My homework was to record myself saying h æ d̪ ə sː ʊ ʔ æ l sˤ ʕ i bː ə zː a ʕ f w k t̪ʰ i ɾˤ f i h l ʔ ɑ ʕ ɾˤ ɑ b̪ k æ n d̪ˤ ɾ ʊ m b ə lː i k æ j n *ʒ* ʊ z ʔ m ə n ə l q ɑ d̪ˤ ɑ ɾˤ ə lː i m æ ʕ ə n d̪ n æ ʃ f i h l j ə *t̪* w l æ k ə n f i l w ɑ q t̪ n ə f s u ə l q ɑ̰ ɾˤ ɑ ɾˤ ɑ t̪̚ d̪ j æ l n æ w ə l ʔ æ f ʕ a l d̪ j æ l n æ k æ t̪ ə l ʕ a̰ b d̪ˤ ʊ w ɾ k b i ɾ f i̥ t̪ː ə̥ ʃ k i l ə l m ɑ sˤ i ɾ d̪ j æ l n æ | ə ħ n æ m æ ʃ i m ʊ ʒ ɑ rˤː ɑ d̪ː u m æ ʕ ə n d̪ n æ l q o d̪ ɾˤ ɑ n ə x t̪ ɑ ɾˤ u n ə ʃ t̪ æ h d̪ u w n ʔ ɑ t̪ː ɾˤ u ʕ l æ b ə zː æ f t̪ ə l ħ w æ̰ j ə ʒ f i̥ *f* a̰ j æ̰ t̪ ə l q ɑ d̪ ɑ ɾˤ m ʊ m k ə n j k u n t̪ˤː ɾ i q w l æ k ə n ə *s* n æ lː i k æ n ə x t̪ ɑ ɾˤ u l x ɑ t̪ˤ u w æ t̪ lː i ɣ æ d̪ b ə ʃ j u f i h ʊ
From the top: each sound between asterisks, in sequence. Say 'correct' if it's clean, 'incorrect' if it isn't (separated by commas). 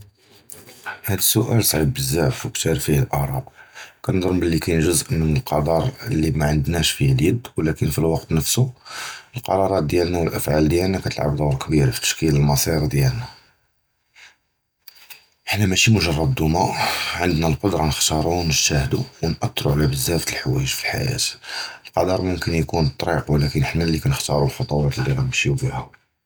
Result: correct, incorrect, incorrect, incorrect